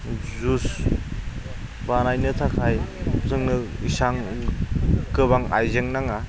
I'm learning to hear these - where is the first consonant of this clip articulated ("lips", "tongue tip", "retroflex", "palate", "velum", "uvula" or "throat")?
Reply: tongue tip